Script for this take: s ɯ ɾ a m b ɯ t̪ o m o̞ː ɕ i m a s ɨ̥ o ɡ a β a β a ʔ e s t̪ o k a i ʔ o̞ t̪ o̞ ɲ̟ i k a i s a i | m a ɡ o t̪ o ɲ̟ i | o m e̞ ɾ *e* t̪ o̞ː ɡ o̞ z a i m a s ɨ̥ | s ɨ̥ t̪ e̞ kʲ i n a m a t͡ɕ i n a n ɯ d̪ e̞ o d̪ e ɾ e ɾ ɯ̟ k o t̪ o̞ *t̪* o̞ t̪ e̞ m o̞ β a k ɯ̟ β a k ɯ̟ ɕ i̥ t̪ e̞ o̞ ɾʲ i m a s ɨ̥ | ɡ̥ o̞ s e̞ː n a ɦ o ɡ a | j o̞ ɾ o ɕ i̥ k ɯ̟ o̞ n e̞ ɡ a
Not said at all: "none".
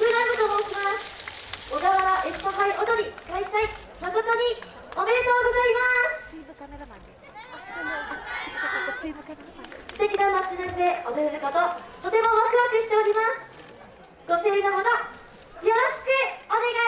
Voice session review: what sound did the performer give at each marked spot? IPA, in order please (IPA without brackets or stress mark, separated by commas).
e, t̪